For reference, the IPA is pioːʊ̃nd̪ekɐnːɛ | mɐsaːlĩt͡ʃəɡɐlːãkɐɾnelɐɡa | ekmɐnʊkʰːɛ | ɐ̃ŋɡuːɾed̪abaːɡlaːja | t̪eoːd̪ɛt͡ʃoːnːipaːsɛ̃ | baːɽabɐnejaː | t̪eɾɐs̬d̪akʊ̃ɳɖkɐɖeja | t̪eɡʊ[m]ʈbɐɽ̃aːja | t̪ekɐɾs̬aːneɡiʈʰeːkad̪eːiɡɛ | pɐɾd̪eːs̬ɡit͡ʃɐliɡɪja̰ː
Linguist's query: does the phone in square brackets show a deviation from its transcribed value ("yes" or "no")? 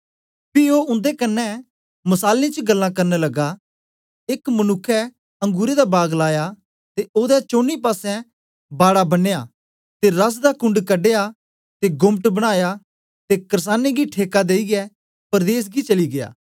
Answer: no